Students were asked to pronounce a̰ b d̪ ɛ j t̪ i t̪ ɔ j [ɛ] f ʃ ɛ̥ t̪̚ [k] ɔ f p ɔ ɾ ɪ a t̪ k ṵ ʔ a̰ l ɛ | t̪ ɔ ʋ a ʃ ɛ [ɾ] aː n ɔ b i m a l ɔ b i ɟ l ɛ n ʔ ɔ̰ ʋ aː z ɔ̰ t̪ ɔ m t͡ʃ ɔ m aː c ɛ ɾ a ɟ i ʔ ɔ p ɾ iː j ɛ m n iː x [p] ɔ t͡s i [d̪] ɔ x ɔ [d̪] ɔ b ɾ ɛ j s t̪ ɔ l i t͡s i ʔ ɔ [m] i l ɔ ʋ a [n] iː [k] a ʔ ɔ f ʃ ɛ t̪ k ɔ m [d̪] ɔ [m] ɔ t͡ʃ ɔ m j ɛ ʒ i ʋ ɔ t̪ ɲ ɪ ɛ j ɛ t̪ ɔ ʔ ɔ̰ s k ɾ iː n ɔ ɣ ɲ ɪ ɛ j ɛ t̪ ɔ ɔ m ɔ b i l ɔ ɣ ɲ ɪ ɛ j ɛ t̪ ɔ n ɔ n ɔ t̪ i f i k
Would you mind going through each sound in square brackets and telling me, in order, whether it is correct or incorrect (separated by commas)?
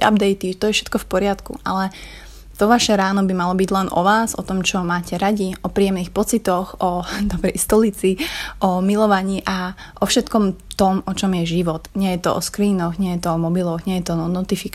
correct, correct, correct, correct, incorrect, correct, correct, incorrect, incorrect, incorrect, correct